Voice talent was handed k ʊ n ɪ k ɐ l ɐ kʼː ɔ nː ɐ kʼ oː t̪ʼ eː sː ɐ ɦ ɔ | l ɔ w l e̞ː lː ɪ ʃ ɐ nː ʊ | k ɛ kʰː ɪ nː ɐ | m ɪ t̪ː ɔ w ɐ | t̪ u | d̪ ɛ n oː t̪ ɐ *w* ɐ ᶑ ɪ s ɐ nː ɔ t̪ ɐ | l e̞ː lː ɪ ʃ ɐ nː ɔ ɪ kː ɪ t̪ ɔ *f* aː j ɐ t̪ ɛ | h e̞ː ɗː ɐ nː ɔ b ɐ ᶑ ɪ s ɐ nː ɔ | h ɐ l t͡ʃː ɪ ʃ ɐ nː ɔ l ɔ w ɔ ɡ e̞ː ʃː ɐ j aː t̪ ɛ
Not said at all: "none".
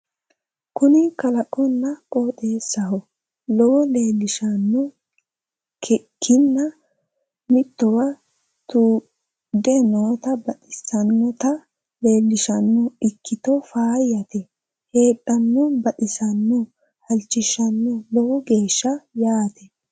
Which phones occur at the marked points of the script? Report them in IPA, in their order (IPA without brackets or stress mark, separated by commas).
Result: b, f